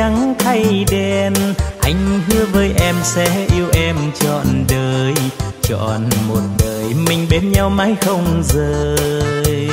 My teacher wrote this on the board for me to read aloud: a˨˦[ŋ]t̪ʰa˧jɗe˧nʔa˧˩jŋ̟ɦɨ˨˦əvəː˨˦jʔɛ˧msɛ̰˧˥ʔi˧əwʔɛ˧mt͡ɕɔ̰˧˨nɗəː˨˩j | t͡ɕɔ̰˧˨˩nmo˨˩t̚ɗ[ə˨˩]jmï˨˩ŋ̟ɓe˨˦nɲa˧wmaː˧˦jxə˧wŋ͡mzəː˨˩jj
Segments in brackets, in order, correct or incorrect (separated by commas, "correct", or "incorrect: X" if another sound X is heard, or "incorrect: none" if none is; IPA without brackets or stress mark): correct, incorrect: əː˨˩